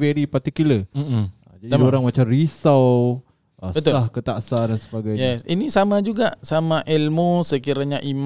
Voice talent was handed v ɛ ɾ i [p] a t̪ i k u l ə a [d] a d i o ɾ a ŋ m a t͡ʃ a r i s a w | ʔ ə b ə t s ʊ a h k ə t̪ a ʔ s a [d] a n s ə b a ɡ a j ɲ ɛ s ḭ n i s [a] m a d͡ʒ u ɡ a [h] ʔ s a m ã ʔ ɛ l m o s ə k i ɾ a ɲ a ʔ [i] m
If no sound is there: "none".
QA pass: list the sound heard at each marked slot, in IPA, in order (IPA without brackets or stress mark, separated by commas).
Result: p, d͡ʒ, d, a, none, i